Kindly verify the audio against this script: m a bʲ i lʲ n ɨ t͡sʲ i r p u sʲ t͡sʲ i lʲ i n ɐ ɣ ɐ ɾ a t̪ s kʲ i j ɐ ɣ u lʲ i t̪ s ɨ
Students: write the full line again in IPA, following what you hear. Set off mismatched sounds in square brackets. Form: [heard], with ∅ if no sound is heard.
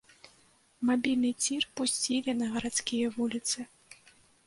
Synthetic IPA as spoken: m a bʲ i lʲ n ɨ t͡sʲ i r p u sʲ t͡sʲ i lʲ i n ɐ ɣ ɐ ɾ a t̪ s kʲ i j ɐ [v] u lʲ i t̪ s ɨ